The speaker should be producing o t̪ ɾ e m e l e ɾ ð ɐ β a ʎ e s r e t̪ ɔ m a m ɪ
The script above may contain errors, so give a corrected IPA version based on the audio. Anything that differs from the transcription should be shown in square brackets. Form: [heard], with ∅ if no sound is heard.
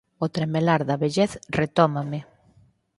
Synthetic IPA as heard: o t̪ ɾ e m e l [a] ɾ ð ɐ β [e] ʎ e [θ] r e t̪ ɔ m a m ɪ

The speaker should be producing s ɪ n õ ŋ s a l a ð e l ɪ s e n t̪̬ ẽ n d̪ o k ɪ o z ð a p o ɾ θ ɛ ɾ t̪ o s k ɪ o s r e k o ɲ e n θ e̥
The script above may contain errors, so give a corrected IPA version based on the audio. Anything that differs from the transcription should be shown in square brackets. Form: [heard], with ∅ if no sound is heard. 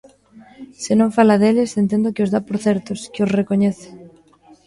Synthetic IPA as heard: s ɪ n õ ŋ [f] a l a ð e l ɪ s e n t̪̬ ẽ n d̪ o k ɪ o z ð a p o ɾ θ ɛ ɾ t̪ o s k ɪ o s r e k o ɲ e [∅] θ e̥

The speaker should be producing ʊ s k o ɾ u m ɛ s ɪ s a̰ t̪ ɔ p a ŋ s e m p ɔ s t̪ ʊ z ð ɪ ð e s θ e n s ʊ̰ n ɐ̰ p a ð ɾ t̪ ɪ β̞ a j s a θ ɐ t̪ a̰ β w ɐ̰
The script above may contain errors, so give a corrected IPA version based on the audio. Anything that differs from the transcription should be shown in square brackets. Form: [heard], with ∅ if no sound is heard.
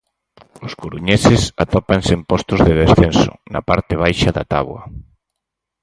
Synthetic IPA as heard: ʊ s k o ɾ u [ɲ] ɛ s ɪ s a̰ t̪ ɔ p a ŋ s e m p ɔ s t̪ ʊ z ð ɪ ð e s θ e n s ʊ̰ n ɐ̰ p a [∅] ɾ t̪ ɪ β̞ a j [ʃ] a [ð] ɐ t̪ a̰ β w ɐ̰

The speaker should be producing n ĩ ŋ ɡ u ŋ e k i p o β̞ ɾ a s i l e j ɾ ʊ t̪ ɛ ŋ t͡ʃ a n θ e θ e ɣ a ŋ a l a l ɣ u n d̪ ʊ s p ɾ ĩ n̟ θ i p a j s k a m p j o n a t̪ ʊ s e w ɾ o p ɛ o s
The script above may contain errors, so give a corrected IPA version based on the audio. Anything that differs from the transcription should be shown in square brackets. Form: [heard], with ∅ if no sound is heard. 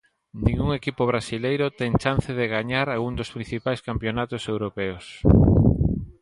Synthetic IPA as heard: n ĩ ŋ ɡ u ŋ e k i p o β̞ ɾ a s i l e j ɾ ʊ t̪ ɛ ŋ t͡ʃ a n θ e [ð] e ɣ a [ɲ] a [ɾ] a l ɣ u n d̪ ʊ s p ɾ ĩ n̟ θ i p a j s k a m p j o n a t̪ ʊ s e w ɾ o p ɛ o s

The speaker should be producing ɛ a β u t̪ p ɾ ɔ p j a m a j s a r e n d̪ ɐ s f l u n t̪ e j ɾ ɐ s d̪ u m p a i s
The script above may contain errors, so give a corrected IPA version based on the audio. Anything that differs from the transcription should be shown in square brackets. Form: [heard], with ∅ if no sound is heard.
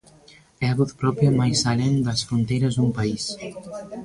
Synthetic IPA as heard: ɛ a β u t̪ p ɾ ɔ p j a m a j s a [l] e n d̪ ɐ s f [ɾ] u n t̪ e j ɾ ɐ [z] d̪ u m p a i s

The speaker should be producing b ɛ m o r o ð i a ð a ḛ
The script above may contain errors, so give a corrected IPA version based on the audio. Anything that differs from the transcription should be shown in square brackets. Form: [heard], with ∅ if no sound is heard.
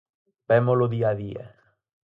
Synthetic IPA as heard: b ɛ m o [l] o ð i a ð [i] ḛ

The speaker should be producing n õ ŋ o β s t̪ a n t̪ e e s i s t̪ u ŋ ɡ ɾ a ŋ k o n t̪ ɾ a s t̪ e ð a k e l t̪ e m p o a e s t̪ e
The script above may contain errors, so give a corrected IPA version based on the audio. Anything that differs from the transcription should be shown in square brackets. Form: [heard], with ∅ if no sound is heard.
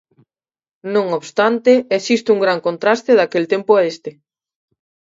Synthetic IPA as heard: n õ ŋ o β s t̪ a n t̪ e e s i s t̪ u ŋ ɡ ɾ a ŋ k o n t̪ ɾ a s t̪ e ð a k e l t̪ e m p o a e s t̪ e

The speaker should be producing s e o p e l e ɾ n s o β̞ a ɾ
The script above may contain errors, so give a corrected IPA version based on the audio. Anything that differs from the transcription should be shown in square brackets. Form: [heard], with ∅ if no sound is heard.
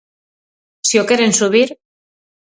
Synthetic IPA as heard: s [i] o [k] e [ɾ] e [∅] n s [u] β̞ [i] ɾ

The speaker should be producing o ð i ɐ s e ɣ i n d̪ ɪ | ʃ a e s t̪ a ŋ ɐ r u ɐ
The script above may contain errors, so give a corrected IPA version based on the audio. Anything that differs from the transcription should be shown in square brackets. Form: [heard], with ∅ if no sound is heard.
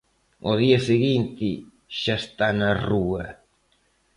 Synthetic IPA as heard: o ð i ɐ s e ɣ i n [t̪] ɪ | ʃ a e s t̪ a [n] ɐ r u ɐ

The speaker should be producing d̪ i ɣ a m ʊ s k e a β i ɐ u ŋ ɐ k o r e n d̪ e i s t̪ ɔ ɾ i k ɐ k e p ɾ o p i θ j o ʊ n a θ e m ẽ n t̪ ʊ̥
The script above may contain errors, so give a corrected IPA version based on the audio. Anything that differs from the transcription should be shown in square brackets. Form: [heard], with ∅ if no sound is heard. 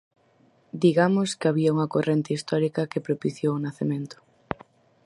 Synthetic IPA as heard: d̪ i ɣ a m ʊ s k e a β i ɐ u ŋ ɐ k o r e n [t̪] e i s t̪ ɔ ɾ i k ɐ k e p ɾ o p i θ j o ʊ n a θ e m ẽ n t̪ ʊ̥

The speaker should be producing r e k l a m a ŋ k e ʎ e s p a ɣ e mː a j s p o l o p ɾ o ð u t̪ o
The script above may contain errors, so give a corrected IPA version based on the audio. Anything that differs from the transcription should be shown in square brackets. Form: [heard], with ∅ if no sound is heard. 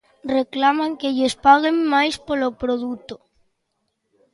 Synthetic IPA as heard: r e k l a m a ŋ k e ʎ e s p a ɣ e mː a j s p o l o p ɾ o ð u t̪ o

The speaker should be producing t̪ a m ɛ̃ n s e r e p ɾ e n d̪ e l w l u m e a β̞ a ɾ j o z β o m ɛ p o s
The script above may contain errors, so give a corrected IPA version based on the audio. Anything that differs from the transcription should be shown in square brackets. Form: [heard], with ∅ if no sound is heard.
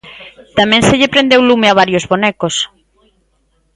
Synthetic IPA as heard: t̪ a m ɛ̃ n s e [ʎ] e p ɾ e n d̪ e [∅] w l u m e a β̞ a ɾ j o z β o [n] ɛ [k] o s

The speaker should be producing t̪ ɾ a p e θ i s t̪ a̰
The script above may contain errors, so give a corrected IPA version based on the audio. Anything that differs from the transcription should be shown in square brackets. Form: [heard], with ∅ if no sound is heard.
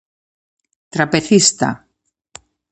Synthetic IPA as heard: t̪ ɾ a p e θ i s t̪ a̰

